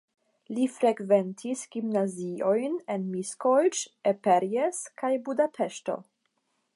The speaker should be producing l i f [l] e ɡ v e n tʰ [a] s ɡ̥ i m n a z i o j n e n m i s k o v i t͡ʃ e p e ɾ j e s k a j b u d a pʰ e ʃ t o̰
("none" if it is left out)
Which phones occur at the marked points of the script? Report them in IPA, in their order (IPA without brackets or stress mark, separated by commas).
ɾ, i